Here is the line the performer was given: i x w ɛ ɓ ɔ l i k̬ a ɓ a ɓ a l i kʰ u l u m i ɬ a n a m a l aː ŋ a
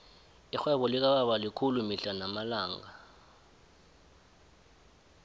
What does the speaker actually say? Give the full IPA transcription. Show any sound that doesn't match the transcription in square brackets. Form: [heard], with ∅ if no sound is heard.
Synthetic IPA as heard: i x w ɛ ɓ ɔ l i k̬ a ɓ a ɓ a l i kʰ u l u m i ɬ a n a m a l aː ŋ a